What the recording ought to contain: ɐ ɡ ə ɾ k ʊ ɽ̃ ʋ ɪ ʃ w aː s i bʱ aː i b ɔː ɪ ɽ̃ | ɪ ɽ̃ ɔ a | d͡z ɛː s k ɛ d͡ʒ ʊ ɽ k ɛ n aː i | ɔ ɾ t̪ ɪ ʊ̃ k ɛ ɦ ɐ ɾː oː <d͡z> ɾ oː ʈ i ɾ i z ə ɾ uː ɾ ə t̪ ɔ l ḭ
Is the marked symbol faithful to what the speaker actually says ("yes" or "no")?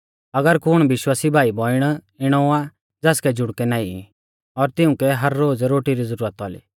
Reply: yes